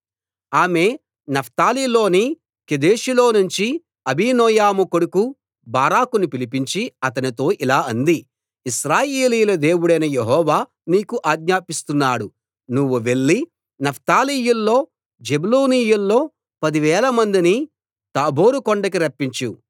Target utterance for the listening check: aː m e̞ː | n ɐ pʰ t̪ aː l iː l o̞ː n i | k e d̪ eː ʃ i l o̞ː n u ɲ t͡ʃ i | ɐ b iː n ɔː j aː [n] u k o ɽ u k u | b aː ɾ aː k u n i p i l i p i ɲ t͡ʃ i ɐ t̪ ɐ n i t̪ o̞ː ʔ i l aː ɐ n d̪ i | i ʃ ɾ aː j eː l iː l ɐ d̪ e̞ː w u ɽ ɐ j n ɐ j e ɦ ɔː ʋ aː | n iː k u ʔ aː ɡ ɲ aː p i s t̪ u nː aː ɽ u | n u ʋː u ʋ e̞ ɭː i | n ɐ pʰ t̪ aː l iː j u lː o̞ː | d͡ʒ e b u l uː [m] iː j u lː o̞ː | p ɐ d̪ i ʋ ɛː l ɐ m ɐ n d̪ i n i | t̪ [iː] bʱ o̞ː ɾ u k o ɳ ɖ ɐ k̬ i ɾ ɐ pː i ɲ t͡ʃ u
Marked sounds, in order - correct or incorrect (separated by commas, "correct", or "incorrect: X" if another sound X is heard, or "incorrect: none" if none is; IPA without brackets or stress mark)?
incorrect: m, incorrect: n, incorrect: aː